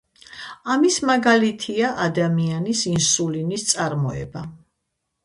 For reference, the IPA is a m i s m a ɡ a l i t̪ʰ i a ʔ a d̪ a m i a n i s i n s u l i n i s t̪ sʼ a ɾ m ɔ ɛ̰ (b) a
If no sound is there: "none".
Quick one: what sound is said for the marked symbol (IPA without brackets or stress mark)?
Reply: b